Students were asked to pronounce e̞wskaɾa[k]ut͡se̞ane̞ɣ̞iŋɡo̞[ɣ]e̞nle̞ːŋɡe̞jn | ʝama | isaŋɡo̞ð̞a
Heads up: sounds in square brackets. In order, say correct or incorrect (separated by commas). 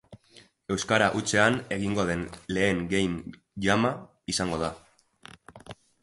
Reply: incorrect, incorrect